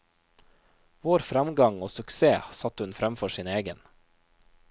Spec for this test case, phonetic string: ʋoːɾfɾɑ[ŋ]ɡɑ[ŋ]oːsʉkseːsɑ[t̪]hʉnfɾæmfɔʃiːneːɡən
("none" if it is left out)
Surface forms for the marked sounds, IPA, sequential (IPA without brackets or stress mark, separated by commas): m, ŋ, t̪